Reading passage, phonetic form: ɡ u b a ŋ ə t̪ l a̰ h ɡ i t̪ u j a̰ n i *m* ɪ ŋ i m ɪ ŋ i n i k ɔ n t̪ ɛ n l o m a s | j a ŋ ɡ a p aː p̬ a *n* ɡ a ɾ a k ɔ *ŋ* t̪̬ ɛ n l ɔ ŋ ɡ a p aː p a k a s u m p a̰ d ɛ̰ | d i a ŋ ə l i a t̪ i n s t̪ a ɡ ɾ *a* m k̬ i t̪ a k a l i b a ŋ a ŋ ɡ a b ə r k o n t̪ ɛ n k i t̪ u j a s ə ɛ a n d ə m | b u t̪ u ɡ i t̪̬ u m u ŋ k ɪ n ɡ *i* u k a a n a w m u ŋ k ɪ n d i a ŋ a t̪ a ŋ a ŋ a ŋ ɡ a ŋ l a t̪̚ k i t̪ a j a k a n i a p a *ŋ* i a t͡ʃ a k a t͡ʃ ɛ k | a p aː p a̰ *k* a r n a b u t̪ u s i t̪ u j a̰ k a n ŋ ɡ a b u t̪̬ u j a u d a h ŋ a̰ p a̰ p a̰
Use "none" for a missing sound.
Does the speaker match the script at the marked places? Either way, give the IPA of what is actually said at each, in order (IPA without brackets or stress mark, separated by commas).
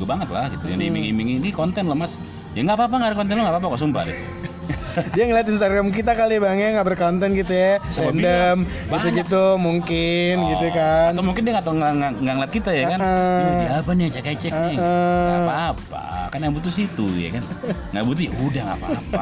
m, ŋ, n, a, i, n, k